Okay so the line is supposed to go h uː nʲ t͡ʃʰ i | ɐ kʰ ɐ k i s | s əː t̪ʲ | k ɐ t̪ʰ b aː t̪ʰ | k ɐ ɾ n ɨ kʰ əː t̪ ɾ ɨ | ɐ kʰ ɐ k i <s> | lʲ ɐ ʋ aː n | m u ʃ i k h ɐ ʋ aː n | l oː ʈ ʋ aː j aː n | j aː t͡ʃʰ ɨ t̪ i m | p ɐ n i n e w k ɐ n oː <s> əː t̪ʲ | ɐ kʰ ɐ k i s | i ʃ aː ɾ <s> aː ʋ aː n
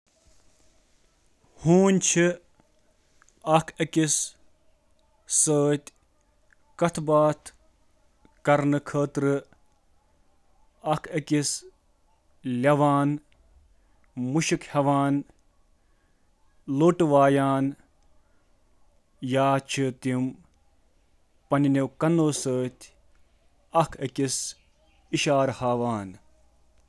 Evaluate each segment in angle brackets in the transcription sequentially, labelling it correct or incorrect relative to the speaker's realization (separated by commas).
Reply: correct, correct, incorrect